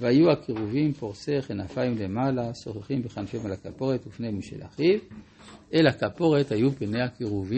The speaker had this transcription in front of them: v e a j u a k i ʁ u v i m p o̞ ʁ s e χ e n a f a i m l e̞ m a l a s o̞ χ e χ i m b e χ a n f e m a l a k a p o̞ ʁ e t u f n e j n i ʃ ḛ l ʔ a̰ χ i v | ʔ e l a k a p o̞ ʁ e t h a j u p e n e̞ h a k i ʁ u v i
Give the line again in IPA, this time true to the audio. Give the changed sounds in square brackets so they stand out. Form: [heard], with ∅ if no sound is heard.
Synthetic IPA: v e a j u a k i ʁ u v i m p o̞ ʁ s e χ e n a f a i m l e̞ m a l a s o̞ χ e χ i m b e χ a n f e m a l a k a p o̞ ʁ e t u f n e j [m] i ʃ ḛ l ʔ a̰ χ i v | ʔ e l a k a p o̞ ʁ e t h a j u p e n e̞ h a k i ʁ u v i